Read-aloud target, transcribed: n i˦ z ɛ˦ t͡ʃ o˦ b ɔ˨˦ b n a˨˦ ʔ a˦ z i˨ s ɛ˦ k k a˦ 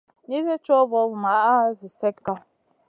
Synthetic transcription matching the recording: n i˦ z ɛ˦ t͡ʃ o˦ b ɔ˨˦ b m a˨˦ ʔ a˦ z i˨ s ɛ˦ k k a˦